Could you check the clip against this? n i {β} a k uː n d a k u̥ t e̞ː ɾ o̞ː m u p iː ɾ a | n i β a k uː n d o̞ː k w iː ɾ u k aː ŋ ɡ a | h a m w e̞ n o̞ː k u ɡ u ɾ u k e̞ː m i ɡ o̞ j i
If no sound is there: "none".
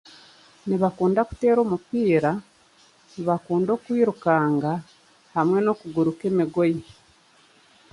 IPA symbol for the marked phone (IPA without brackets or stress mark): β